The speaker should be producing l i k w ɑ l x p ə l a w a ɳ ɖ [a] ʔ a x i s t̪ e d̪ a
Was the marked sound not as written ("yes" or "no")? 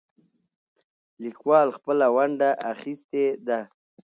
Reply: no